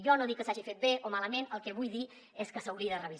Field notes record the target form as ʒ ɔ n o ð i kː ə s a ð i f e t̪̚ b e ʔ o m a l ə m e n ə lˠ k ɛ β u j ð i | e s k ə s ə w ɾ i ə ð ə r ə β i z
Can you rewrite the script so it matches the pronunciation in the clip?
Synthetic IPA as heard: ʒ ɔ n o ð i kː ə s a ʒ i f e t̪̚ b e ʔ o m a l ə m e n ə lˠ k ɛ β u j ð i | e s k ə s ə w ɾ i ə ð ə r ə β i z